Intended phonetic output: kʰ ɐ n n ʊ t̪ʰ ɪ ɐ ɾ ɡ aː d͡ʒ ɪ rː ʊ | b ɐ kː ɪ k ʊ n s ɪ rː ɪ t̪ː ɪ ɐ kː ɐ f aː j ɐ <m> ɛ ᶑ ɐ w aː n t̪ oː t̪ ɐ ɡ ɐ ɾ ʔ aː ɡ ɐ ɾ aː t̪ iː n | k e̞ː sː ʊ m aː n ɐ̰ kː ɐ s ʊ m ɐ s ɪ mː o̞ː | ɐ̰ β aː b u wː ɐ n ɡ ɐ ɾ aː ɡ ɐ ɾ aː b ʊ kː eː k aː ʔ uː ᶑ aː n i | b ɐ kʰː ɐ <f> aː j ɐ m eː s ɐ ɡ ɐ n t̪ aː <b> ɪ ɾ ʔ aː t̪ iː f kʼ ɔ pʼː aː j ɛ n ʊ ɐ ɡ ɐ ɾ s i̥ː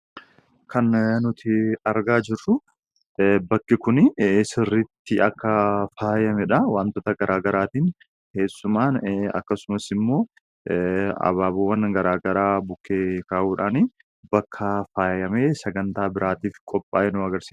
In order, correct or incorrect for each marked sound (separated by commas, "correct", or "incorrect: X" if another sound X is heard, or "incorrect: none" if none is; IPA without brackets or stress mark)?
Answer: correct, correct, correct